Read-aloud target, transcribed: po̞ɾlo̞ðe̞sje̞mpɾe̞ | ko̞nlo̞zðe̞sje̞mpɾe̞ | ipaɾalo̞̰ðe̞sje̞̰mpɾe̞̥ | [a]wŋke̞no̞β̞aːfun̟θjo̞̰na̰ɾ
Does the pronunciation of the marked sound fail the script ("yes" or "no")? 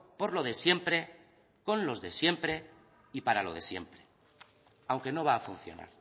no